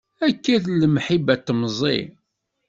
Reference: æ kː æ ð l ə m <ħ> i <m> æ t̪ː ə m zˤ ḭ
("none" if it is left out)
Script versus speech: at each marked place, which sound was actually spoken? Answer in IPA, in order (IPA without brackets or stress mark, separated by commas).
ħ, b